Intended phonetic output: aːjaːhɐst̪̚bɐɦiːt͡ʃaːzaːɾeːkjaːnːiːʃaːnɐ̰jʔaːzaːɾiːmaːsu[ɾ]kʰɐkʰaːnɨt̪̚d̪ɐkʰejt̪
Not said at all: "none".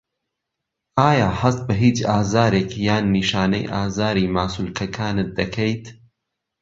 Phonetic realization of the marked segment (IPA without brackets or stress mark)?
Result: l